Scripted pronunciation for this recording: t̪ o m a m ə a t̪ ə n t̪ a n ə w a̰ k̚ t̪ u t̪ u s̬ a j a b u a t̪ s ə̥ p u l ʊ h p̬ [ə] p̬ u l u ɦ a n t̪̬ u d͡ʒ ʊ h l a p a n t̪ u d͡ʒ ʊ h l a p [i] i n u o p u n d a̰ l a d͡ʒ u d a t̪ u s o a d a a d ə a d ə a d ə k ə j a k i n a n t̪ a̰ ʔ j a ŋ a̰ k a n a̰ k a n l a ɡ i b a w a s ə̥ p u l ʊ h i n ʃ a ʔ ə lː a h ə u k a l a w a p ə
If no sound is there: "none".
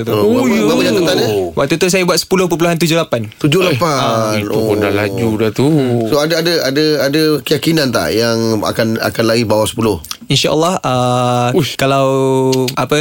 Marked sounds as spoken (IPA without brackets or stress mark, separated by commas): ə, a